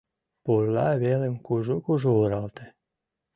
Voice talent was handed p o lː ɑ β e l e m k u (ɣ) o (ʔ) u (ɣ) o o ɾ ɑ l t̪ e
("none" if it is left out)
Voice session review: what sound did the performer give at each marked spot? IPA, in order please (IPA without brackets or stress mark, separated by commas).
ʒ, k, ʒ